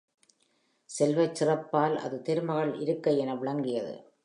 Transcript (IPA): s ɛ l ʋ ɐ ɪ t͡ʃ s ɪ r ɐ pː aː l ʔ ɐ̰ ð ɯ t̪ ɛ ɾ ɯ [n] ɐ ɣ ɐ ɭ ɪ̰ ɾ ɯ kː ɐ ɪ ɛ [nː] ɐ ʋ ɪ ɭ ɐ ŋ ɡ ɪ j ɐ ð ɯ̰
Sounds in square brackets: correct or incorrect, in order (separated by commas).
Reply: incorrect, incorrect